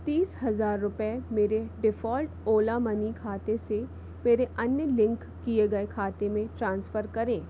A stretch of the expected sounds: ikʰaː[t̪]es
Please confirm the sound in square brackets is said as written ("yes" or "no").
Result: yes